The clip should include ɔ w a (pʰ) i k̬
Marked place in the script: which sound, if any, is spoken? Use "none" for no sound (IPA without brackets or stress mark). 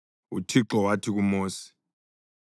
tʰ